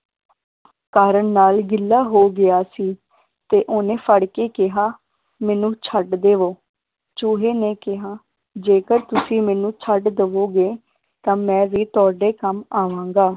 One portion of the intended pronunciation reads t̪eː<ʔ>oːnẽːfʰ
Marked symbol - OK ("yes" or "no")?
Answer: yes